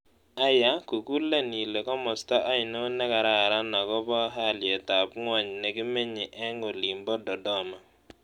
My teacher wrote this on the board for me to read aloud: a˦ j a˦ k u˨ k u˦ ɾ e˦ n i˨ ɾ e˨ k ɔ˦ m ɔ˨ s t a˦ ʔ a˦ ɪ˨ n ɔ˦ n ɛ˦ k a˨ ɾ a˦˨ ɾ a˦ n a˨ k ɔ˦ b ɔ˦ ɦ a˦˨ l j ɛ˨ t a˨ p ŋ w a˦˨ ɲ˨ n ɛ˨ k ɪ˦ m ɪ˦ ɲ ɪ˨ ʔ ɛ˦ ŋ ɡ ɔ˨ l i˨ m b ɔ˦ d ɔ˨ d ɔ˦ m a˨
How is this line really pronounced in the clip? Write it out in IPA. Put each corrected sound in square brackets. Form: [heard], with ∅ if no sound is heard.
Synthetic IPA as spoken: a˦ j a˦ k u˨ k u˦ [l] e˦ n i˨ [l] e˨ k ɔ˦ m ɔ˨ s t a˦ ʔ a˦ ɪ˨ n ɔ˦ n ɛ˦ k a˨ ɾ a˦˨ ɾ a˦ n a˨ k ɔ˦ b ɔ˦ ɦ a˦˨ l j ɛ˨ t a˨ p ŋ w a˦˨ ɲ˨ n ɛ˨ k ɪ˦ m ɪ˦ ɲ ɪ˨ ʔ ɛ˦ ŋ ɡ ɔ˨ l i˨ m b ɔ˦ d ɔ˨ d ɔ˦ m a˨

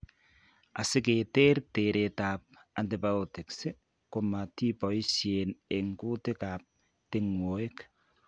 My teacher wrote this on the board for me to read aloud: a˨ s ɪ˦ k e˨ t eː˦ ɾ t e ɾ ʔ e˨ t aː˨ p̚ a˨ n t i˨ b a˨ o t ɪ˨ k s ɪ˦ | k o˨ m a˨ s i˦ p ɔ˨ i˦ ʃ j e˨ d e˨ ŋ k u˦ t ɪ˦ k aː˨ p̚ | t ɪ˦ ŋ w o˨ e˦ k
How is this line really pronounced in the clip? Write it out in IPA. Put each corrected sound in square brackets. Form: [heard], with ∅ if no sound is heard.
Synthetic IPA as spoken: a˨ s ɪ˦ k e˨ t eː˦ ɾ t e ɾ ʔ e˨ t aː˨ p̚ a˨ n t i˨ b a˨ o t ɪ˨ k s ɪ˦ | k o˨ m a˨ [t] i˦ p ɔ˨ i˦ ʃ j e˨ [n] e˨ ŋ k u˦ t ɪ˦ k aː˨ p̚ | t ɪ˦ ŋ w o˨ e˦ k

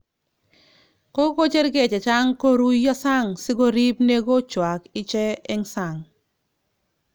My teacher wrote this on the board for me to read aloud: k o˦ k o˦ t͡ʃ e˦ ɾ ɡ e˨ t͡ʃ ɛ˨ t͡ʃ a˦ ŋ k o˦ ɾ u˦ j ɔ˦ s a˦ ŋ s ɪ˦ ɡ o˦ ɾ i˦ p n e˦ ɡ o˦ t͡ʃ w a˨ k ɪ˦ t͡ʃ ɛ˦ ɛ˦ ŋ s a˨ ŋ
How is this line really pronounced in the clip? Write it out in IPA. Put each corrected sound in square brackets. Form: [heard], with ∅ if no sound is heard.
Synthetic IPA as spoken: k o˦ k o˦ t͡ʃ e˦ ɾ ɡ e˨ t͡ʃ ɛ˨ t͡ʃ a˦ ŋ k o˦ ɾ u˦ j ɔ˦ s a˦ ŋ s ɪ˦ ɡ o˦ ɾ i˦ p n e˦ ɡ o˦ t͡ʃ w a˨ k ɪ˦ t͡ʃ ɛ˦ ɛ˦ ŋ s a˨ ŋ

